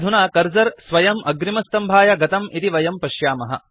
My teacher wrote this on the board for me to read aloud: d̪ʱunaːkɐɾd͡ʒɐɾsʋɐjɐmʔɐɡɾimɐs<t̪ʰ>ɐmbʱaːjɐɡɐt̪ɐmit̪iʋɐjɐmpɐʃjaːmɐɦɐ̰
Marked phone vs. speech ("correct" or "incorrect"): incorrect